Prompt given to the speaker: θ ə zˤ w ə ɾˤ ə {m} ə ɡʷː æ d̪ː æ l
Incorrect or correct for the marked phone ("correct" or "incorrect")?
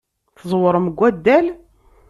correct